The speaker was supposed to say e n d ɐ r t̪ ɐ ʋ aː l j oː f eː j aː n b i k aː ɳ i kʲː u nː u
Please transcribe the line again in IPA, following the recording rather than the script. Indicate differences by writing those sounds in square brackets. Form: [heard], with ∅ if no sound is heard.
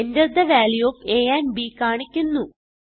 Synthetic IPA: e n d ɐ r [d̪] ɐ ʋ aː l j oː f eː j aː n b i k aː ɳ i kʲː u nː u